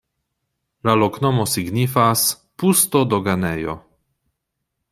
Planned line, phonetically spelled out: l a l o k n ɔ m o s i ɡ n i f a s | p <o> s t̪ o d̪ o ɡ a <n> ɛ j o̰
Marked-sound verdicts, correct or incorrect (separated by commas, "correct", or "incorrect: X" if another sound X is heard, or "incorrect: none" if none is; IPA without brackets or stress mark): incorrect: u, correct